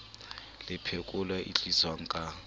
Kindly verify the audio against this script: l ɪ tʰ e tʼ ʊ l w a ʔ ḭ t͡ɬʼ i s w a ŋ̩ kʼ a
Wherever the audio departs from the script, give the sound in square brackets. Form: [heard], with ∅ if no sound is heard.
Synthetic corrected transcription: l ɪ [pʰ] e [kʼ] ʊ l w a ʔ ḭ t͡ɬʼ i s w a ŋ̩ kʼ a